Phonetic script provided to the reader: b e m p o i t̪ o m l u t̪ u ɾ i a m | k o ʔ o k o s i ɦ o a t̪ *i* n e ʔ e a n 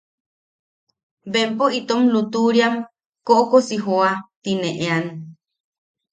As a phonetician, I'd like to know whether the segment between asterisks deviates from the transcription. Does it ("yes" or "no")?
no